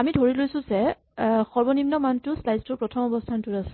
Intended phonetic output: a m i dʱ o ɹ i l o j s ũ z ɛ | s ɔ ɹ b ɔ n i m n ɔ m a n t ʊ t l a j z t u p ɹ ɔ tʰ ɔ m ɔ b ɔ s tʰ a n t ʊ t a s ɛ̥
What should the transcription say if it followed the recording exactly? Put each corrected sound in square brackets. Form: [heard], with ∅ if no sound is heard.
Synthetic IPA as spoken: a m i dʱ o ɹ i l o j s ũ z ɛ | [x] ɔ ɹ b ɔ n i m n ɔ m a n t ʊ [s] l a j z t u p ɹ ɔ tʰ ɔ m ɔ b ɔ s tʰ a n t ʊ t a s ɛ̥